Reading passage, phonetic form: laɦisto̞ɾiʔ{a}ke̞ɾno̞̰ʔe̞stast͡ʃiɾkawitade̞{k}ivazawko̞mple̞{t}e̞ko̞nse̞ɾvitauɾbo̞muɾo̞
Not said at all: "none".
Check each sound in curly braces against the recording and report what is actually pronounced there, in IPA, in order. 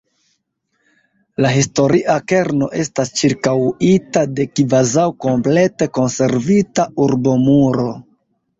a, k, t

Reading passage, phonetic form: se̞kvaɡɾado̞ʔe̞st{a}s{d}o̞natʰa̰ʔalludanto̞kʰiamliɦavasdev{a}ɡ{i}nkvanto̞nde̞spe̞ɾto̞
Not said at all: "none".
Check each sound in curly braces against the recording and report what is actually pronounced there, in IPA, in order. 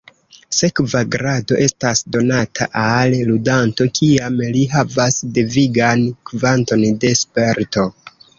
a, d, i, a

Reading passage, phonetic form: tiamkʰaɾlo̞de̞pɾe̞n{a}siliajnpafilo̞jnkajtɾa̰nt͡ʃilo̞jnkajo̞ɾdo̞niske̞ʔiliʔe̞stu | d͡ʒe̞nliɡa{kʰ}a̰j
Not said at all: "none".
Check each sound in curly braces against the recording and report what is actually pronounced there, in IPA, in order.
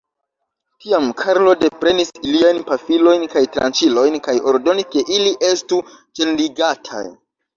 i, tʰ

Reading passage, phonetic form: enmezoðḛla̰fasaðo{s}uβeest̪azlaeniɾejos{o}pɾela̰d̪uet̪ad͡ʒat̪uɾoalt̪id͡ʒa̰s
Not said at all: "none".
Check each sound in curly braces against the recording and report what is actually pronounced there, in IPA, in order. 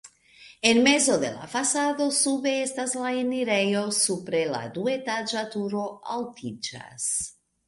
s, u

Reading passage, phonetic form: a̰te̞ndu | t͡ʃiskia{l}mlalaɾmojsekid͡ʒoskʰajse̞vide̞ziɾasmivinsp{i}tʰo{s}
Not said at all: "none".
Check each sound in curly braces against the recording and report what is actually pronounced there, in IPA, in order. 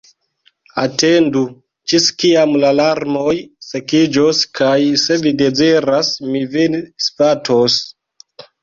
none, a, s

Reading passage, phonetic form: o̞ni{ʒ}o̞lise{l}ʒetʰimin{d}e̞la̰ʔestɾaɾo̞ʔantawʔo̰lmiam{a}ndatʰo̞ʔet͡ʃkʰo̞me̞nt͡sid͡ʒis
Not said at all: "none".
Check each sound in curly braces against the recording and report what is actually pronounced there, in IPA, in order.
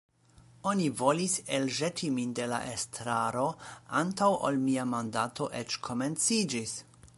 v, l, d, a

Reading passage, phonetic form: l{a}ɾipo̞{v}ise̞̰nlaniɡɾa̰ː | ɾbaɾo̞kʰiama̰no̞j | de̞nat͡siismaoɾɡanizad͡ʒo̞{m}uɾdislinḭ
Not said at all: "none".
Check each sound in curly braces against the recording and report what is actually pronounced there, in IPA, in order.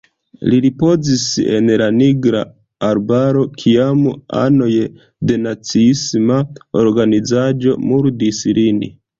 i, z, m

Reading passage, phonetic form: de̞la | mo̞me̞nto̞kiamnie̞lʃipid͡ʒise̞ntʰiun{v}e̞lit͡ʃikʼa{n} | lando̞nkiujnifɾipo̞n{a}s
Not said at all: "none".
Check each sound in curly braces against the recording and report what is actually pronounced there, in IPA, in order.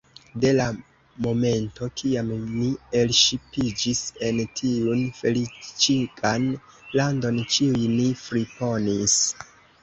f, n, i

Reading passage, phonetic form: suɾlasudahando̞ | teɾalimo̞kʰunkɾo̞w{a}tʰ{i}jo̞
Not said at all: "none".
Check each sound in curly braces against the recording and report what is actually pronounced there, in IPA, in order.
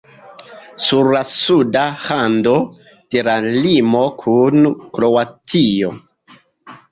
a, i

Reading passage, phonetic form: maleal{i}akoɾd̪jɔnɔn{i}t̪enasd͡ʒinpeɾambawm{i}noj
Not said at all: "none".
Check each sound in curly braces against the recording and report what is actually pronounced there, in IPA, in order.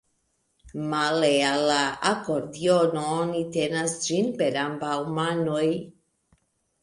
a, i, a

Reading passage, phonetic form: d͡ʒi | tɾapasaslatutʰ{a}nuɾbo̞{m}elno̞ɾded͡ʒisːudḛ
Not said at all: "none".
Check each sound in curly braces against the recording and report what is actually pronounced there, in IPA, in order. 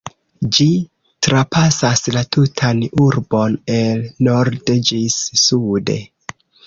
a, n

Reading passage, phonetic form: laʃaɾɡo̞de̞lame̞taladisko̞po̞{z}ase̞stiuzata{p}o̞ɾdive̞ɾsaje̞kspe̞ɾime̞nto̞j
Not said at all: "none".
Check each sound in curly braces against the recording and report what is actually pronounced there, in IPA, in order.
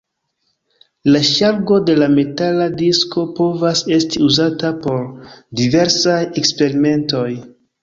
v, p

